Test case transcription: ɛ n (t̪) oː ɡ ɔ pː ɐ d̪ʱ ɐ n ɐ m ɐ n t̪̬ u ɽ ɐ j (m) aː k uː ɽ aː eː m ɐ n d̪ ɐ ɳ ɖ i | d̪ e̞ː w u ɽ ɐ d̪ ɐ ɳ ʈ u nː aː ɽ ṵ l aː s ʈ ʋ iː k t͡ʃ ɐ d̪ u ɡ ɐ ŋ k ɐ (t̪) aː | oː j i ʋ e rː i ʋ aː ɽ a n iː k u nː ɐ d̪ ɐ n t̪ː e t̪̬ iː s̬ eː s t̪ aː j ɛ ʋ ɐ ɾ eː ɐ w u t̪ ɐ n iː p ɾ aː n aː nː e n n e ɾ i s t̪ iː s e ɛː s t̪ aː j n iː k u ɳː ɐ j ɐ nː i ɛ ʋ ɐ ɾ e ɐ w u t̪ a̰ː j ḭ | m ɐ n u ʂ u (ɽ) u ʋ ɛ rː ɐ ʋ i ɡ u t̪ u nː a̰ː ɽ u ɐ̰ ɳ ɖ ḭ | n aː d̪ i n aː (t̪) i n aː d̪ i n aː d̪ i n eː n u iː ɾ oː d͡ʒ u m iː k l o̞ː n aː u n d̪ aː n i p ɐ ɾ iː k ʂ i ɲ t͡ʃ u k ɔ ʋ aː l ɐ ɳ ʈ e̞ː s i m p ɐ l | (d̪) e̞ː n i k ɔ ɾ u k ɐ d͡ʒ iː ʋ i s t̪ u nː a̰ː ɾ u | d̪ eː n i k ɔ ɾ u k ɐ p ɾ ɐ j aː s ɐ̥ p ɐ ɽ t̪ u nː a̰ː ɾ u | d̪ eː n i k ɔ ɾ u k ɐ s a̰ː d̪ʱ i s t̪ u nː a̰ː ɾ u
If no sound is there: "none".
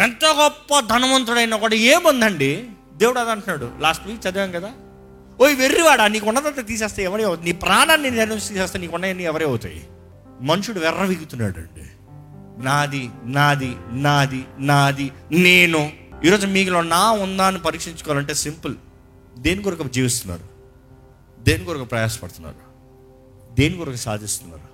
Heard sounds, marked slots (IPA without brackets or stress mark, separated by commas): t̪, n, d̪, ɽ, d̪, d̪